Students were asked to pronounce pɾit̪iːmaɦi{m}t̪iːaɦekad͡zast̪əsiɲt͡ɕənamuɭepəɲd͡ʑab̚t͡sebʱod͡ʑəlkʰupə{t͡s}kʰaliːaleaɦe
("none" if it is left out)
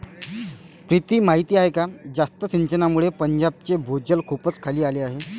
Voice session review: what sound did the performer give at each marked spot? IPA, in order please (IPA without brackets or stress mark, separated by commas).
none, t͡s